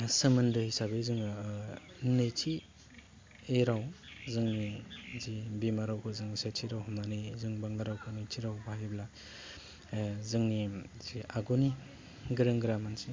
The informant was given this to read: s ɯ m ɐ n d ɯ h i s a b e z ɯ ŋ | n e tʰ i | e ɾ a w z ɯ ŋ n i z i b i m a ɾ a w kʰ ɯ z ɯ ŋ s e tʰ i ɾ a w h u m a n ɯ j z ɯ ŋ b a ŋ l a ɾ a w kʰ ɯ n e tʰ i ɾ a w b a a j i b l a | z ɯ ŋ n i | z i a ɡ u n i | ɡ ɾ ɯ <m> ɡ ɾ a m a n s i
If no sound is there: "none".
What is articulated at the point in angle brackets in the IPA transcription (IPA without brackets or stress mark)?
ŋ